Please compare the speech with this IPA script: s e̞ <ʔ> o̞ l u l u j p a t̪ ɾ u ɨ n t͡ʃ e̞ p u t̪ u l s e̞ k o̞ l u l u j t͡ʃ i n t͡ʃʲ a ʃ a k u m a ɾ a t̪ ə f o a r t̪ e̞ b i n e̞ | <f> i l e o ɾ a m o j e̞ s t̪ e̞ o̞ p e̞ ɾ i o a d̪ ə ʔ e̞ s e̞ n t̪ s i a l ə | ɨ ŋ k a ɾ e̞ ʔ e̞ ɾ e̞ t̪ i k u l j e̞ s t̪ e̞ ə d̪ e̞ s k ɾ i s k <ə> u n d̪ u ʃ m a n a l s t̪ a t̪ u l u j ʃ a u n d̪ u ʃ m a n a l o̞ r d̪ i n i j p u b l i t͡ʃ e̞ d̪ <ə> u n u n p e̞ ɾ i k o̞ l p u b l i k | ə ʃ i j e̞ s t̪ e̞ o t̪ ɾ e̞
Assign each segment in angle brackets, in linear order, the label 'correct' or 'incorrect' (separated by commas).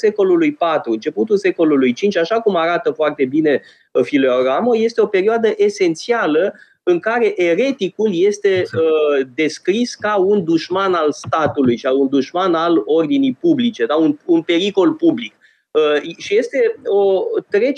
incorrect, correct, incorrect, incorrect